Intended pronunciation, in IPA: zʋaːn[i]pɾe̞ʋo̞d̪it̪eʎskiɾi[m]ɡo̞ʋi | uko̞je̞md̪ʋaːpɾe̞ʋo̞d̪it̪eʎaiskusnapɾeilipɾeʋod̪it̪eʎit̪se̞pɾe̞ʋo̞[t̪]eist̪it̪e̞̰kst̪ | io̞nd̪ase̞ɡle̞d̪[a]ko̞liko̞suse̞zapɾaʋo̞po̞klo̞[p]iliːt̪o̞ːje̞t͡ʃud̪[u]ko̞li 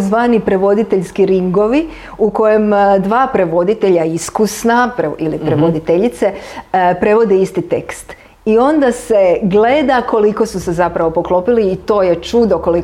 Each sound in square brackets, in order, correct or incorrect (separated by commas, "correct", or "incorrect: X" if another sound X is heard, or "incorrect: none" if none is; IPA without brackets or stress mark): correct, incorrect: ŋ, incorrect: d̪, correct, correct, incorrect: o